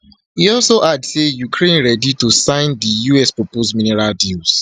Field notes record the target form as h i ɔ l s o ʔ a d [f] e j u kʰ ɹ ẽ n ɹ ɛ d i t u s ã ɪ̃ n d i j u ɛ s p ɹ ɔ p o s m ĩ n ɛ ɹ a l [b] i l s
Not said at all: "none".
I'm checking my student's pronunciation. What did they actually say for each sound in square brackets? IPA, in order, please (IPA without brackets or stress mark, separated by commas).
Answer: s, d